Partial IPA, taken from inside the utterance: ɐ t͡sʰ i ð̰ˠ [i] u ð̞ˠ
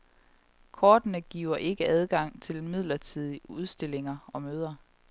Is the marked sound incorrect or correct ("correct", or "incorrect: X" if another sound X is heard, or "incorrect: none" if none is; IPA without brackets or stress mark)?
correct